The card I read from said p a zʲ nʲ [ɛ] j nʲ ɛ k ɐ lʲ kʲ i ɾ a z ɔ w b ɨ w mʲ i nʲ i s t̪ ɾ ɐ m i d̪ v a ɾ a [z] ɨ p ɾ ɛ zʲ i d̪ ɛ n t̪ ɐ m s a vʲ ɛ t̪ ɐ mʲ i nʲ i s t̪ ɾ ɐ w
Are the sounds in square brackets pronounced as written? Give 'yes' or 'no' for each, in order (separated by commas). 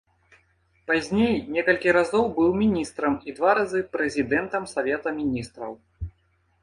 no, yes